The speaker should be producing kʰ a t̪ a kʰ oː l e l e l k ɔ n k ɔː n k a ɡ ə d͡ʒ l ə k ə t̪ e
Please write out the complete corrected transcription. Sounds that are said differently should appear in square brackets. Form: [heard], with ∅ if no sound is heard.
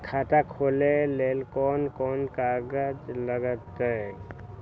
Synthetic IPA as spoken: kʰ a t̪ a kʰ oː l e l e l k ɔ n k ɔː n k a ɡ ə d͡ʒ l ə [ɡ] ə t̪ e